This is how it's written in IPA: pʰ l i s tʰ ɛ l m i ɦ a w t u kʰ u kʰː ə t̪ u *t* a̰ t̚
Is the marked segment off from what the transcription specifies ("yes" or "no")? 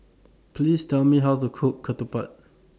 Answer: yes